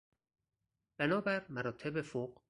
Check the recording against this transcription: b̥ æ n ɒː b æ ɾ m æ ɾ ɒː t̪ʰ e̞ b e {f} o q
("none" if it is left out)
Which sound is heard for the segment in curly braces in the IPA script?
f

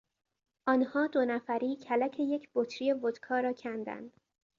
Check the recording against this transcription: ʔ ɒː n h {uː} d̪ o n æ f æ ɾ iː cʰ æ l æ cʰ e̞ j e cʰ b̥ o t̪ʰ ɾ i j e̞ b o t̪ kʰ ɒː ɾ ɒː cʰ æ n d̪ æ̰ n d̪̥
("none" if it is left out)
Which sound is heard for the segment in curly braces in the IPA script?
ɒː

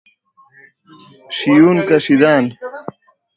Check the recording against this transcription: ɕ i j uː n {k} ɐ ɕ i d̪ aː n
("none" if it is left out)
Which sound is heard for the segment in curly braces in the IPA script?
k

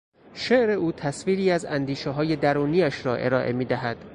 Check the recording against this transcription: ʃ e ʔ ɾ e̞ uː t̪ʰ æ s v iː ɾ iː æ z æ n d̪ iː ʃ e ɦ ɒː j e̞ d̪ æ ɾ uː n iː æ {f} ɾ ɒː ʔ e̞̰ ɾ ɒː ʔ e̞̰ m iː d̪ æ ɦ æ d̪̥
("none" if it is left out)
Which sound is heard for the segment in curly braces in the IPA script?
ʃ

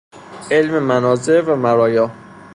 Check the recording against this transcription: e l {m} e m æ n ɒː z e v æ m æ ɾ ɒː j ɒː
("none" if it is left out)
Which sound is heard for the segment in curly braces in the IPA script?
m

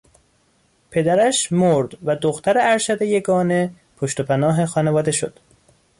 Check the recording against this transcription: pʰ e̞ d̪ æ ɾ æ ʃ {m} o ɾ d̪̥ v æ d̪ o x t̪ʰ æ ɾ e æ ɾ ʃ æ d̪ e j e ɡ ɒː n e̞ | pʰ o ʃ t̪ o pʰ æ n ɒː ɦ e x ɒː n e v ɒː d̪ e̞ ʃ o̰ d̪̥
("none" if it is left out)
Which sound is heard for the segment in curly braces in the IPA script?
m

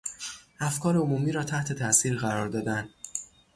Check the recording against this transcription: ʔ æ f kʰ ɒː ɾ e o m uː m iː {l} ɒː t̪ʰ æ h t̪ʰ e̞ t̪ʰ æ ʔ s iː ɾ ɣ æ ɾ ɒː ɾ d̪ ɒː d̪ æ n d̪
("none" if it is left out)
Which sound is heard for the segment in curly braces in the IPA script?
ɾ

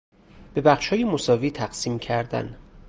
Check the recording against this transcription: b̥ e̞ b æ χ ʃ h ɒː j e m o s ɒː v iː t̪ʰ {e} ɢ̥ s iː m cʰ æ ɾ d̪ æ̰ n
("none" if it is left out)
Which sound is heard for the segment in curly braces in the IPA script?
æ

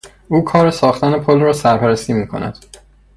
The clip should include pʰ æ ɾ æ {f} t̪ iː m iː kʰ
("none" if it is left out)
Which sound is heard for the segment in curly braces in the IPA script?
s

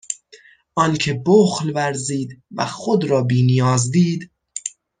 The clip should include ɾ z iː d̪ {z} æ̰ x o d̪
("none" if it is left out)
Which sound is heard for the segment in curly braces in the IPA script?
v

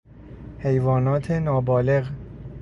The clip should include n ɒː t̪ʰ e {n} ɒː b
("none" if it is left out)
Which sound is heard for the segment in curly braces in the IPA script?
n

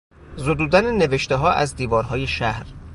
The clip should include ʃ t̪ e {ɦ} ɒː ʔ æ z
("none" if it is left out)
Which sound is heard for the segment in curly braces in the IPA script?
ɦ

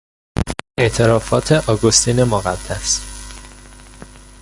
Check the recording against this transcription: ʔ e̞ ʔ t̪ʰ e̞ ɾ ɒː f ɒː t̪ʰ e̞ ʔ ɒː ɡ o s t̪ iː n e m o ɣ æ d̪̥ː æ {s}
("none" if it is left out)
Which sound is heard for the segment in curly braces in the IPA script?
s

